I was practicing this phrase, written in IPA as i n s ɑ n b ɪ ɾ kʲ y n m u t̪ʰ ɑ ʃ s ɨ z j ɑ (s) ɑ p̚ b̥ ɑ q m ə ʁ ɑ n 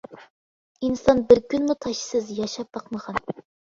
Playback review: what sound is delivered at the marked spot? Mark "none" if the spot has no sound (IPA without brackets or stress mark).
ʃ